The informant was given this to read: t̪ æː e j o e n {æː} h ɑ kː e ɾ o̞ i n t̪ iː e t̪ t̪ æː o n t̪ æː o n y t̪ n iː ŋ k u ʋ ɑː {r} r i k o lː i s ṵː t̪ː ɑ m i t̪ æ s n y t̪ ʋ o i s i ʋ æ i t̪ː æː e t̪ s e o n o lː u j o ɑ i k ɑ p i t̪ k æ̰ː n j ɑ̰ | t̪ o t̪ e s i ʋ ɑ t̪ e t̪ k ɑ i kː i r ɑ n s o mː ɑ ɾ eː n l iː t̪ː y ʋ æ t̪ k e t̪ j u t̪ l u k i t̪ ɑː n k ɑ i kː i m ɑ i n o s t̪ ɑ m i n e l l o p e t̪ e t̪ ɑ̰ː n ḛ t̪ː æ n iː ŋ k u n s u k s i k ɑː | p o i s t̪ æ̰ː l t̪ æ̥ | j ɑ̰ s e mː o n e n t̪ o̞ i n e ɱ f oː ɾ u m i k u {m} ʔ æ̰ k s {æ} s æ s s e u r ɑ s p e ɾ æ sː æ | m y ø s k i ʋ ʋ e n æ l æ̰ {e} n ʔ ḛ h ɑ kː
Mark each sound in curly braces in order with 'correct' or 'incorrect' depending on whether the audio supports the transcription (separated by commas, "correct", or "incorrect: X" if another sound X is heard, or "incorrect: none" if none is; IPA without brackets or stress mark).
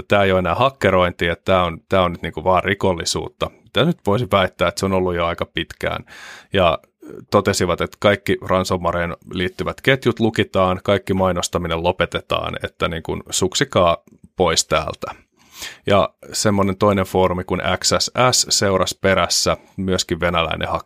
correct, correct, incorrect: n, correct, incorrect: i